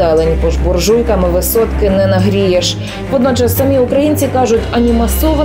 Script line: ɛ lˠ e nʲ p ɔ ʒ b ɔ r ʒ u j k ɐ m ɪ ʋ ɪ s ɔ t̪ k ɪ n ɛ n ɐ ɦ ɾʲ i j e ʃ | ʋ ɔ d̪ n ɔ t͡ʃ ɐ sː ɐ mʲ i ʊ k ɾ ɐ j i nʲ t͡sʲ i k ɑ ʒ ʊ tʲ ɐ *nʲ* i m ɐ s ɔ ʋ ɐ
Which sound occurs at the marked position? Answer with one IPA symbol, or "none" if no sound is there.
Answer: nʲ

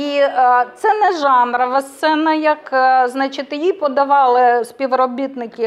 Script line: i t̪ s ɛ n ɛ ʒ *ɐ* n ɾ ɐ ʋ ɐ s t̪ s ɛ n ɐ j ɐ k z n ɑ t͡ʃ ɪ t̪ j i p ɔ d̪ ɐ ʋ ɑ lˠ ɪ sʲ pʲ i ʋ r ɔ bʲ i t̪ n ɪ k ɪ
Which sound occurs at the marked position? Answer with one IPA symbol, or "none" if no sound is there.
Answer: ɑ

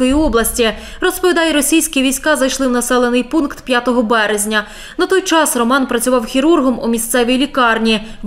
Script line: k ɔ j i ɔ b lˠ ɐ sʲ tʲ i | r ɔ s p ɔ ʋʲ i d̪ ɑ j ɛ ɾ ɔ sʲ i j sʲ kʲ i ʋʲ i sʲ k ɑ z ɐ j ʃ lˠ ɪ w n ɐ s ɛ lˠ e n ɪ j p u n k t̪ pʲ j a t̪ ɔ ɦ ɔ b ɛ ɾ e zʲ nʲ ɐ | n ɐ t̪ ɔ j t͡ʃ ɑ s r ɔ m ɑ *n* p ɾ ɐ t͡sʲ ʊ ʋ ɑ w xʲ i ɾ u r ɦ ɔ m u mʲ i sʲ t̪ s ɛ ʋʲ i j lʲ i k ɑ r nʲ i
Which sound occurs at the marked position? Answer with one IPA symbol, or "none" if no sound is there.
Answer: n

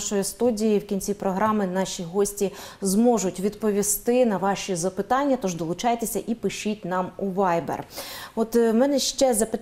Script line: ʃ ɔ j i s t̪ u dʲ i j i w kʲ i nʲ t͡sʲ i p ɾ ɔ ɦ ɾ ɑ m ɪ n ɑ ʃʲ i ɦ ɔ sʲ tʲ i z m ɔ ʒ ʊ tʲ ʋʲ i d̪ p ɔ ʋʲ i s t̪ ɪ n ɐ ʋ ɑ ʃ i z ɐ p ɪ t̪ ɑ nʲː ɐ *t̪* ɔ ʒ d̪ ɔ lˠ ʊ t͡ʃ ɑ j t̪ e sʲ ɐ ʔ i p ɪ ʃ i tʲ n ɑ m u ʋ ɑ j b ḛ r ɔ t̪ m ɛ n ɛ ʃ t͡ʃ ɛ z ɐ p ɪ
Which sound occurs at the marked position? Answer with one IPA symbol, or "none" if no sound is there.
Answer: t̪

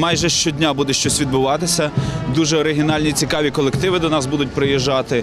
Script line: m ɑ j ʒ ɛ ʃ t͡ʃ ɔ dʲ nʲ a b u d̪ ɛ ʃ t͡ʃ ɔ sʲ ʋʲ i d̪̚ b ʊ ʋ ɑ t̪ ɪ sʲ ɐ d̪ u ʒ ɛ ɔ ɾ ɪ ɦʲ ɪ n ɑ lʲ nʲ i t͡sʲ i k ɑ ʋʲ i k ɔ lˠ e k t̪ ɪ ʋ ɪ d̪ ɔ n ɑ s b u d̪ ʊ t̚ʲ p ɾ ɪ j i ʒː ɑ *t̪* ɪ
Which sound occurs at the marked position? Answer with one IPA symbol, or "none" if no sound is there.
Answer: t̪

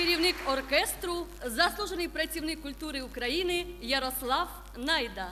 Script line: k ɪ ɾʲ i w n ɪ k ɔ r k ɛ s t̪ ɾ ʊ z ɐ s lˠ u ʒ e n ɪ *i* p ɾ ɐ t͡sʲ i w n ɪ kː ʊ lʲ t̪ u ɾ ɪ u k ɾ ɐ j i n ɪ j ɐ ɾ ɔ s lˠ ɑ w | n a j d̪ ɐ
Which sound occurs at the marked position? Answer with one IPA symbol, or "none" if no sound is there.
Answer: j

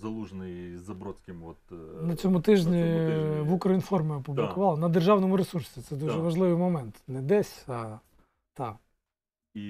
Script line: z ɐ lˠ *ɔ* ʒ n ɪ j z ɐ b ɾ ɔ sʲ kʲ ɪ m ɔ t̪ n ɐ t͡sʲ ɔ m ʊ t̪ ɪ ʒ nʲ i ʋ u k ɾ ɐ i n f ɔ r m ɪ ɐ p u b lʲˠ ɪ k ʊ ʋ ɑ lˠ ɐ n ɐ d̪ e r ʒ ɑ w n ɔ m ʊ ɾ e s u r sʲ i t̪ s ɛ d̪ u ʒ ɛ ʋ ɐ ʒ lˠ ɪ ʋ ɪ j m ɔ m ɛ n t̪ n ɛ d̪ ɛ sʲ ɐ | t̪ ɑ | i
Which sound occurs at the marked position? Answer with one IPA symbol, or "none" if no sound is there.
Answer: u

